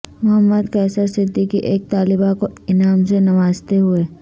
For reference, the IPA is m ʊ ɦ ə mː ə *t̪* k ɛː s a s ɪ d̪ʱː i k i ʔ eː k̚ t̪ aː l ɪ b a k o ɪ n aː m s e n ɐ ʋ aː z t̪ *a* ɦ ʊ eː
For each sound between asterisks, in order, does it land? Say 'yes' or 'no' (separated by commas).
no, no